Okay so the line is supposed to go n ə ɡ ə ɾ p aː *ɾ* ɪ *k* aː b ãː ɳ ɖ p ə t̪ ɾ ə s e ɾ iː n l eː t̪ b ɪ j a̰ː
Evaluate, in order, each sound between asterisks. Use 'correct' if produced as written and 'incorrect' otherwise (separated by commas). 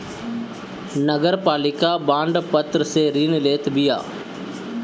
incorrect, correct